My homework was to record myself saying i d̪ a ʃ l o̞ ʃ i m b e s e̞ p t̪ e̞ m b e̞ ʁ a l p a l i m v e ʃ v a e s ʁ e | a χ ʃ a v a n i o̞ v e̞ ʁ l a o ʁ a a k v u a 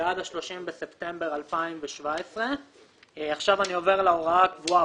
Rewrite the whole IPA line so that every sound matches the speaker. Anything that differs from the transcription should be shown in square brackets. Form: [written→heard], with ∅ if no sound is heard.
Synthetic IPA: [i→a] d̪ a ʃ l o̞ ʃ i m b e s e̞ p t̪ e̞ m b e̞ ʁ a l p a [l→∅] i m v e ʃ v a e s ʁ e | a χ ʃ a v a n i o̞ v e̞ ʁ l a o ʁ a a k v u a

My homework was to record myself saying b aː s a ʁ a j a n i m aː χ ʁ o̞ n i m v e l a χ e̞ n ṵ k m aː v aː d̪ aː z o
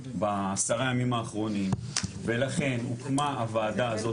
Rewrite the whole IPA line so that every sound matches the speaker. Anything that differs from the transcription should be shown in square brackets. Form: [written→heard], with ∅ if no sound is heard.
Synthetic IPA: b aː s a ʁ a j a [n→m] i m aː χ ʁ o̞ n i m v e l a χ e̞ n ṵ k m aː v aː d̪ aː z o

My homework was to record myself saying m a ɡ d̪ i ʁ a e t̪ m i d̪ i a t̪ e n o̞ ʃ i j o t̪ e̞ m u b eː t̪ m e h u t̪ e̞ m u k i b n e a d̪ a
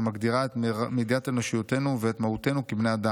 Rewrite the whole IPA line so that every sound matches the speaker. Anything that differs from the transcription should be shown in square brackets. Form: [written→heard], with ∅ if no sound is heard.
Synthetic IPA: m a ɡ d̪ i ʁ a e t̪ m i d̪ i a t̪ e n o̞ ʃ i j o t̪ e̞ [m→n] u [b→v] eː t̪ m [e→a] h u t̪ e̞ [m→n] u k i b n e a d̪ a

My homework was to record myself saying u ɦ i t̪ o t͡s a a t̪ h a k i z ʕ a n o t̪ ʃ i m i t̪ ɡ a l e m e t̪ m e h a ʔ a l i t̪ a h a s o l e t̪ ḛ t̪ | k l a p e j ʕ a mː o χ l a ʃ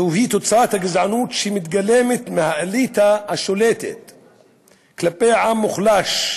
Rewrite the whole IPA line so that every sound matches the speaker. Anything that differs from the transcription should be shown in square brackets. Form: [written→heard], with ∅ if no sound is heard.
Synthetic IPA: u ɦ i t̪ o t͡s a a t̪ h a [k→ɡ] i z ʕ a n [o→u] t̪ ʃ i m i t̪ ɡ a l e m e t̪ m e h a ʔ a l i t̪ a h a [s→ʃ] o l e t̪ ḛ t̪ | k l a p e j ʕ a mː [o→u] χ l a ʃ

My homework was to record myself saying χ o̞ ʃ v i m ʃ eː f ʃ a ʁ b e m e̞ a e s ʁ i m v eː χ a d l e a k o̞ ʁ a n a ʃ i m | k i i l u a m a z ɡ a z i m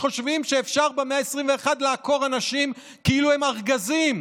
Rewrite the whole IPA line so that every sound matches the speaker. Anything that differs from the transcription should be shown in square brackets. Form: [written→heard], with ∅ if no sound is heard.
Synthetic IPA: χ o̞ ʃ v i m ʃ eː f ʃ a ʁ b e m e̞ a e s ʁ i m v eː χ a d l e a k o̞ ʁ a n a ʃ i m | k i i l u [a→e] m a [z→ʁ] ɡ a z i m

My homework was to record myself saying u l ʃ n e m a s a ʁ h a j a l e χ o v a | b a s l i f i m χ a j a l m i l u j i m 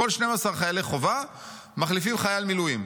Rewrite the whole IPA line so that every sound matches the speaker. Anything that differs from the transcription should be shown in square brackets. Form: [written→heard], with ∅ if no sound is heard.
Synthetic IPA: [u→o] l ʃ n e m a s a ʁ [h→χ] a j a l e χ o v a | [b→m] a [s→χ] l i f i m χ a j a l m i l u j i m

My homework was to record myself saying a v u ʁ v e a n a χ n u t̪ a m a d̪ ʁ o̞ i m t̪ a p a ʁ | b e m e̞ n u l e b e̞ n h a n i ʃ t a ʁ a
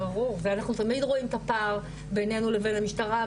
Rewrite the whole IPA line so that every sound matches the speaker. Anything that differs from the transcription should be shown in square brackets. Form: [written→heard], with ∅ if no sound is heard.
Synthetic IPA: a [v→ʁ] u ʁ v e a n a χ n u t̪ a m [a→i] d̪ ʁ o̞ i m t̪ a p a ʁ | b e [m→n] e̞ n u l e [b→v] e̞ n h a [n→m] i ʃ t a ʁ a

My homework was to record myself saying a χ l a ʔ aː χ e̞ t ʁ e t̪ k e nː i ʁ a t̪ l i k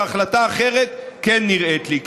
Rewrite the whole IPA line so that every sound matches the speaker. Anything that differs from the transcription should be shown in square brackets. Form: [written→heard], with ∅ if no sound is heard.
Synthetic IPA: a χ l a [ʔ→t] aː χ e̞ [t→∅] ʁ e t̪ k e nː i ʁ [a→e] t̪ l i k

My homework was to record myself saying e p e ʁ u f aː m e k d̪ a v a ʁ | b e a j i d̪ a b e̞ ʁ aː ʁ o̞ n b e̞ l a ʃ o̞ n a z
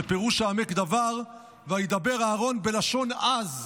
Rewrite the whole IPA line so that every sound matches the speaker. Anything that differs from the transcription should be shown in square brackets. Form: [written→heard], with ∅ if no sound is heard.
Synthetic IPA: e p e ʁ u [f→ʃ] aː m e k d̪ a v a ʁ | [b→v] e a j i d̪ a b e̞ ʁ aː ʁ o̞ n b e̞ l a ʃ o̞ n a z

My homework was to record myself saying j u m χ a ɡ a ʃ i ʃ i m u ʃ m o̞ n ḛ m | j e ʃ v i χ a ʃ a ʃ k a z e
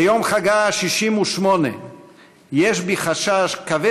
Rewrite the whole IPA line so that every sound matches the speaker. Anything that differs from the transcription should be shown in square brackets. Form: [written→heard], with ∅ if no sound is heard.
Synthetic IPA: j [u→o] m χ a ɡ a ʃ i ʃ i m u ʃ m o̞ n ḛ [m→∅] | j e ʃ [v→b] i χ a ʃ a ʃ k a [z→v] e

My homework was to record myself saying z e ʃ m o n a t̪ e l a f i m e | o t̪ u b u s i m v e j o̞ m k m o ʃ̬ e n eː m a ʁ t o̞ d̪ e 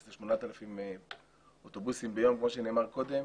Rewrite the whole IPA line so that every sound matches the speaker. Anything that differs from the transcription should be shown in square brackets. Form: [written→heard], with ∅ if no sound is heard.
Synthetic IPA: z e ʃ m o n a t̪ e l a f i m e | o t̪ [u→o] b u s i m [v→b] e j o̞ m k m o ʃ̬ e n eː m a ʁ [t→k] o̞ d̪ e

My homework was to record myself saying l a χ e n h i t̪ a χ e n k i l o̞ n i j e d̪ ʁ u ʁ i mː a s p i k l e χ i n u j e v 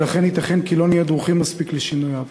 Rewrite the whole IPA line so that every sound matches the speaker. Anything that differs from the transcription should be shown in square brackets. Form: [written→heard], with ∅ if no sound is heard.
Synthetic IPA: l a χ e n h i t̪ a χ e n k i l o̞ n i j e d̪ ʁ u [ʁ→χ] i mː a s p i k l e [χ→ʃ] i n u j [e→a] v

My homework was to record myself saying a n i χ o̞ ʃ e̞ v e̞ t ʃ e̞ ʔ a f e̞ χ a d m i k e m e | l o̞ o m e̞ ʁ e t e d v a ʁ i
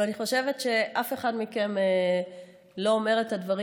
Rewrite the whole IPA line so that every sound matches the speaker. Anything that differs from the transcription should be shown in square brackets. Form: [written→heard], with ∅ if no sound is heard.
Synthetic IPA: a n i χ o̞ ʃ e̞ v e̞ t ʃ e̞ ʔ a f e̞ χ a d m i k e m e | l o̞ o m e̞ ʁ e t [e→a] d v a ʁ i

